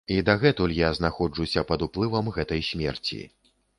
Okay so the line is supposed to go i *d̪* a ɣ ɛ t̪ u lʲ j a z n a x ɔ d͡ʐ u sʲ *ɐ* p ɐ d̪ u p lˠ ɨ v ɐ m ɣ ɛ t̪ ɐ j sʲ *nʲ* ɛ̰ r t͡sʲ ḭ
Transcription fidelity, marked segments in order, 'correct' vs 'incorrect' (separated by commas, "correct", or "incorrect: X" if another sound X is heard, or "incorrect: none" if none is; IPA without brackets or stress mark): correct, correct, incorrect: mʲ